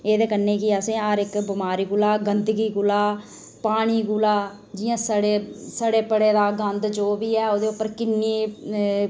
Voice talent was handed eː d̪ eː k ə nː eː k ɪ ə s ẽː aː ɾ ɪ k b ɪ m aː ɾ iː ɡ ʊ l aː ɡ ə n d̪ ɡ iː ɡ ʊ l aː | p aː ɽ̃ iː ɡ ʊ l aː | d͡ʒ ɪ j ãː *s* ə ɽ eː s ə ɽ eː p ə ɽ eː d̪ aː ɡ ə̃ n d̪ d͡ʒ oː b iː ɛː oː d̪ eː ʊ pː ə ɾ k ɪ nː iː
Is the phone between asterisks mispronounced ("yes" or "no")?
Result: no